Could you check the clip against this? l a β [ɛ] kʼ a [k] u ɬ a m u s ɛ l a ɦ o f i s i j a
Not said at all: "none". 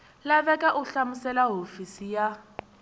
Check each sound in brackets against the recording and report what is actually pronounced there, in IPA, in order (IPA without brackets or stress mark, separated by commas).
ɛ, ʔ